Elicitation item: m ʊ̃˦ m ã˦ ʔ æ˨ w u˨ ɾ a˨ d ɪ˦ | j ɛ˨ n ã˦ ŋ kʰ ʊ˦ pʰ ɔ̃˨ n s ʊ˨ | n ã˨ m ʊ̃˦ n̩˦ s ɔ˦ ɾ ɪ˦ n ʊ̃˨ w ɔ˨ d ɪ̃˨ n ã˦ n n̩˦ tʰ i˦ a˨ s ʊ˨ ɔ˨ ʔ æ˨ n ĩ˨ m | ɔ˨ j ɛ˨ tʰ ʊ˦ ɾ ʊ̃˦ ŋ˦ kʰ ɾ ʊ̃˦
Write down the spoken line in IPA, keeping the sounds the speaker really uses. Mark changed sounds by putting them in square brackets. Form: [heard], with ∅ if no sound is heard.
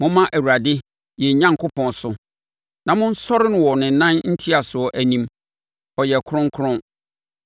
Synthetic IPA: m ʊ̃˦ m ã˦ ʔ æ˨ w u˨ ɾ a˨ d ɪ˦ | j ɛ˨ [ɲ] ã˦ ŋ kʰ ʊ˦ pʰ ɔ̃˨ n s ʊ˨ | n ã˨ m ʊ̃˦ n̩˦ s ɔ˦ ɾ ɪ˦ n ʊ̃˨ w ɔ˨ [n] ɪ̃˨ n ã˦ n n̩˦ tʰ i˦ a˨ s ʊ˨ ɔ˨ ʔ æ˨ n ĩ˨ m | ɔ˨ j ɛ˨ [kʰ] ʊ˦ ɾ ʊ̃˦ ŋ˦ kʰ ɾ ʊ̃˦